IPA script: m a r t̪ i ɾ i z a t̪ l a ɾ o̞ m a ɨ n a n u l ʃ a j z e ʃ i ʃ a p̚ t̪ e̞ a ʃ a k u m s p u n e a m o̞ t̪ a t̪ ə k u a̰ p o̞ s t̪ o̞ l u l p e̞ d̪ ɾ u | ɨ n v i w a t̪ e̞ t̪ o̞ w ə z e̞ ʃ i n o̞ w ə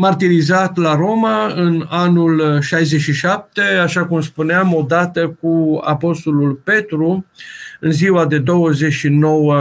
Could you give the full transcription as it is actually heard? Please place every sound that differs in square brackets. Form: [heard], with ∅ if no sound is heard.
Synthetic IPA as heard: m a r t̪ i ɾ i z a t̪ l a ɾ o̞ m a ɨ n a n u l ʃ a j z e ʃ i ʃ a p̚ t̪ e̞ a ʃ a k u m s p u n e a m o̞ [d̪] a t̪ ə k u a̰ p o̞ s t̪ o̞ l u l p e̞ [t̪] ɾ u | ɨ n [z] i w a [d̪] e̞ [d̪] o̞ w ə z e̞ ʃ i n o̞ w ə